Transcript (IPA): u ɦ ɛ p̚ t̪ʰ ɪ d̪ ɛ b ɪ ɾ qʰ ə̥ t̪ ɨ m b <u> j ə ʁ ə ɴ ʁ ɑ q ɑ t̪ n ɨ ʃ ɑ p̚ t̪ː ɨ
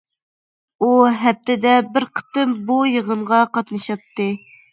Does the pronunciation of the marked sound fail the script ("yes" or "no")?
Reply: no